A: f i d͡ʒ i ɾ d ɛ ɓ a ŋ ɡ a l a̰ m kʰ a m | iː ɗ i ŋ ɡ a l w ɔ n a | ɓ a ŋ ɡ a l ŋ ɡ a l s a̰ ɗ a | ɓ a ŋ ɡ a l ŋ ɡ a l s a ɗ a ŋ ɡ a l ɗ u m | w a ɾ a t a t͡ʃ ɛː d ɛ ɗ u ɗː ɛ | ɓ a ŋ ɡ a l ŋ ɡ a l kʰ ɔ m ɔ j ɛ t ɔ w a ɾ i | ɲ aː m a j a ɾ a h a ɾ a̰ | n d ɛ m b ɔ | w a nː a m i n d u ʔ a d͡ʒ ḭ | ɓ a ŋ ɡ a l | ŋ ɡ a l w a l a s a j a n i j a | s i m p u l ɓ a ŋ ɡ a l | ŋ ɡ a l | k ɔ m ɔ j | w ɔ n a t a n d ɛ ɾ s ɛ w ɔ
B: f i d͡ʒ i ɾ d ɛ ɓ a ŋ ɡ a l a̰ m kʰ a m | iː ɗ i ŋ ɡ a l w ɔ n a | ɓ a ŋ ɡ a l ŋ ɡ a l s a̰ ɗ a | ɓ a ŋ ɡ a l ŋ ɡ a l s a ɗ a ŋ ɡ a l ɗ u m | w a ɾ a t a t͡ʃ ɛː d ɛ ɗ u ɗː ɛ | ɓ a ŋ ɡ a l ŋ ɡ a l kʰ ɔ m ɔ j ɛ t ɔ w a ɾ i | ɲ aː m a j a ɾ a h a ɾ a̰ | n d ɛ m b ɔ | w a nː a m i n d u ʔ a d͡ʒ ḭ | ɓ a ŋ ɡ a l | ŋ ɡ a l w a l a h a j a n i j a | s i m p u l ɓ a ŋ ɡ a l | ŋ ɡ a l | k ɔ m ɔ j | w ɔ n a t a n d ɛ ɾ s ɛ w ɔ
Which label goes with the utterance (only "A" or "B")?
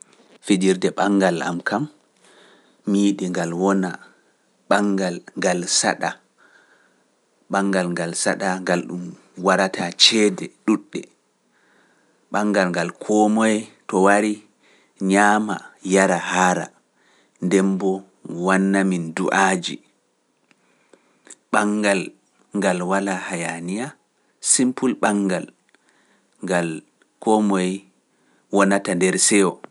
B